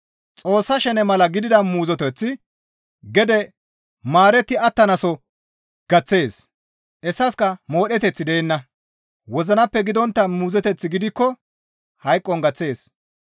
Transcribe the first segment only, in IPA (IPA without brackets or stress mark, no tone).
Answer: t͡sʼ